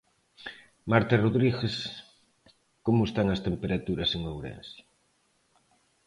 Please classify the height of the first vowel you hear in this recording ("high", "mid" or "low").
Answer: low